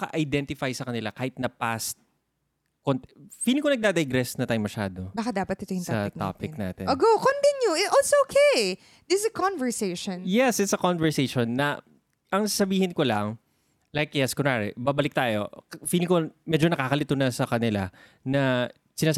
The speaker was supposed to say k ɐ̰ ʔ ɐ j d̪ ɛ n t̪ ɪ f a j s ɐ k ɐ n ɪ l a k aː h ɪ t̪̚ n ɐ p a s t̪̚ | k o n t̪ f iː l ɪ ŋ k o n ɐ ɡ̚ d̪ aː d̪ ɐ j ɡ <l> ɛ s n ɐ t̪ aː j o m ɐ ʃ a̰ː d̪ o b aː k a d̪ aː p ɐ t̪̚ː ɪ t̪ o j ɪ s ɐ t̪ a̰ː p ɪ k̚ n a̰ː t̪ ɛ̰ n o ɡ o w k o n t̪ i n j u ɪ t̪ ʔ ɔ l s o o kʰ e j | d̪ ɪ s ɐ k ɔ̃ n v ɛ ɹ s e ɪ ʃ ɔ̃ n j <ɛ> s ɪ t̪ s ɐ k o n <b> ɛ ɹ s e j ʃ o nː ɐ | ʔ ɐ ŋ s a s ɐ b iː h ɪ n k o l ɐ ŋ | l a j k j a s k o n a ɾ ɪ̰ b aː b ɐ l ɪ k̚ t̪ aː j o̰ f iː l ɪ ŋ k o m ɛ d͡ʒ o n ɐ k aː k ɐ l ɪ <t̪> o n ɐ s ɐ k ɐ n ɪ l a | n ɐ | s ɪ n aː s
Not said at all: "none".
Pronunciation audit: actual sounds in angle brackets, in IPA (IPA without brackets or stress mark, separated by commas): ɾ, ɛ, v, t̪